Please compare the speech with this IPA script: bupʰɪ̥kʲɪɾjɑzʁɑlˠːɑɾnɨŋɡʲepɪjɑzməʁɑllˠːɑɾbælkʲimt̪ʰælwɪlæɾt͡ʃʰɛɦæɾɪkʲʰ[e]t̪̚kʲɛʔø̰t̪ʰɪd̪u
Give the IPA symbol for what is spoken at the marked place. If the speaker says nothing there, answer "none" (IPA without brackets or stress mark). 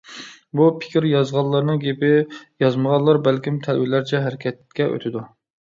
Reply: ɛ